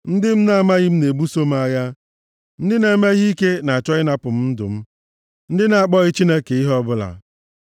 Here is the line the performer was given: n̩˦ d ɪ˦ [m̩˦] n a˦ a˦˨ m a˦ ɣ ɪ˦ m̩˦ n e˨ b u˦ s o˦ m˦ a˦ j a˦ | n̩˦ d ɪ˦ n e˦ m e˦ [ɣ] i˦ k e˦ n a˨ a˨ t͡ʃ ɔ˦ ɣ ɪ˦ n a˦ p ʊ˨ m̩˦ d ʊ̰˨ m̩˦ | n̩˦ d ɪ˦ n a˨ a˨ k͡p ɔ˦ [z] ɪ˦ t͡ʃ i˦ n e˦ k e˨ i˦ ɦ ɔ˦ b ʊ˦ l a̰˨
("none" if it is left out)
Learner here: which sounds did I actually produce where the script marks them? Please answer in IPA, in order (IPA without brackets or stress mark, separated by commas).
m̩˦, ɣ, ɣ